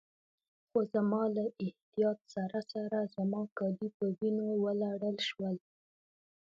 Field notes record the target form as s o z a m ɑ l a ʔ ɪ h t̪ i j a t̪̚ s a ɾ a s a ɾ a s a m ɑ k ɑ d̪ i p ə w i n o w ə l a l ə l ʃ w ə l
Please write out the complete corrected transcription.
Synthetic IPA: x o z a m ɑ l a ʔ ɪ h t̪ i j ɑ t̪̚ s a ɾ a s a ɾ a z a m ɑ k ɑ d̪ i p ə w i n o w ə l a ɽ ə l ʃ w ə l

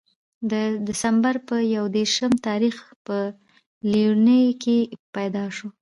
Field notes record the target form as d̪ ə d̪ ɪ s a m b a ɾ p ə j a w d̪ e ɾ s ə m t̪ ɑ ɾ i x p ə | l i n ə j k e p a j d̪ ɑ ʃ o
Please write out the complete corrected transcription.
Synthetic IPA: d̪ ə d̪ ɪ s a m b a ɾ p ə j a w d̪ e ɾ ʃ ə m t̪ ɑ ɾ i x p ə | l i n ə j k e p a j d̪ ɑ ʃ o

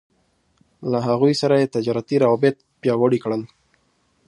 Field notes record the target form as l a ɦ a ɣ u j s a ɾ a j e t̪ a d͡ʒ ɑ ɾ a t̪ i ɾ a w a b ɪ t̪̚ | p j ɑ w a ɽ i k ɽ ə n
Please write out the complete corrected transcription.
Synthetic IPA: l a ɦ a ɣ u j s a ɾ a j e t̪ a d͡ʒ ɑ ɾ a t̪ i ɾ a w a b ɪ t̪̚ | p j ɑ w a ɽ i k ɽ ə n

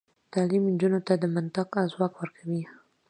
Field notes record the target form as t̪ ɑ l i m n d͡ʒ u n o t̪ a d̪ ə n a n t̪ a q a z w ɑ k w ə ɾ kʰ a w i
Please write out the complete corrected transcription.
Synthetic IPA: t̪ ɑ l i m n d͡ʒ u n o t̪ a d̪ ə m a n t̪ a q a z w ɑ k w ə ɾ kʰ a w i

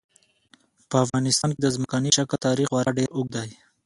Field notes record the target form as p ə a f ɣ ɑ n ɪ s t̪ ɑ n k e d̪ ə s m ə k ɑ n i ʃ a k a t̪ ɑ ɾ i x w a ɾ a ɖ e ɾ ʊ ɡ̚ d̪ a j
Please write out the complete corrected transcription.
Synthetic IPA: p ə a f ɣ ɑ n ɪ s t̪ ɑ n k e d̪ ə z m ə k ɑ n i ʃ a k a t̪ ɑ ɾ i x w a ɾ a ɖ e ɾ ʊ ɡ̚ d̪ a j

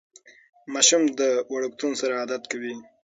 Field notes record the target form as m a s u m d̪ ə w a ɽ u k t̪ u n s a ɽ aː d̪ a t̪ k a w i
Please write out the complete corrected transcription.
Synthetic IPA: m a ʃ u m d̪ ə w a ɽ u k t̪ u n s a ɾ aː d̪ a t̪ k a w i

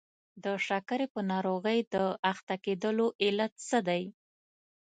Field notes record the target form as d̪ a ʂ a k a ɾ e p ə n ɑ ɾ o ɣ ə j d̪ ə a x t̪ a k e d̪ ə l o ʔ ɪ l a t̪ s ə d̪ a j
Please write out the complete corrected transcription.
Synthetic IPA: d̪ ə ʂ a k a ɾ e p ə n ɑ ɾ o ɣ ə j d̪ ə a x t̪ a k e d̪ ə l o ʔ ɪ l a t̪ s ə d̪ a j

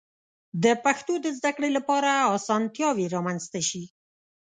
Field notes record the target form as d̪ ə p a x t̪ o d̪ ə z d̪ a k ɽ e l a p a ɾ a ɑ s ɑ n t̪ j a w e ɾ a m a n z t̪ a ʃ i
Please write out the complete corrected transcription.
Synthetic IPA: d̪ ə p a x t̪ o d̪ ə z d̪ a k ɽ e l a p ɑ ɾ a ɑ s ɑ n t̪ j ɑ w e ɾ ɑ m a n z t̪ a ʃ i

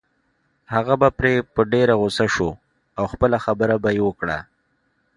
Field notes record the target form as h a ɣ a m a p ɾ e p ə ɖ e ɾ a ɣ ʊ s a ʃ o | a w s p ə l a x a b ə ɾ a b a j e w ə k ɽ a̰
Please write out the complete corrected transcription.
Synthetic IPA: h a ɣ a b a p ɾ e p ə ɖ e ɾ a ɣ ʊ s a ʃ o | a w x p ə l a x a b ə ɾ a b a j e w ə k ɽ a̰

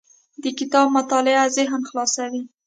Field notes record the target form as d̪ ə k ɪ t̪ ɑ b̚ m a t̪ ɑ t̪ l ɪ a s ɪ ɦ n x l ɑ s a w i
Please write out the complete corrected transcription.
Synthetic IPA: d̪ ə k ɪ t̪ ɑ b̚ m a t̪ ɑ l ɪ a z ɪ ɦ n x l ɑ s a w i

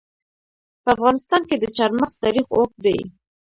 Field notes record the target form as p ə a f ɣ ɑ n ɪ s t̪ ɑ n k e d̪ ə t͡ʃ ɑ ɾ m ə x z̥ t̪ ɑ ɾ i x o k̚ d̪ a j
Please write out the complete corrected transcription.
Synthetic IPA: p ə a f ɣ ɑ n ɪ s t̪ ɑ n k e d̪ ə t͡ʃ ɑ ɾ m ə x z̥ t̪ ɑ ɾ i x o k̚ d̪ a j

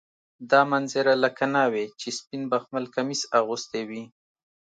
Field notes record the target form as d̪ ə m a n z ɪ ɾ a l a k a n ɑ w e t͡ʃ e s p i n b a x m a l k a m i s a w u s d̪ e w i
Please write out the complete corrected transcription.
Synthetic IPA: d̪ ɑ m a n z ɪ ɾ a l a k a n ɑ w e t͡ʃ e s p i n b a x m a l k a m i s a ɣ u s t̪ e w i

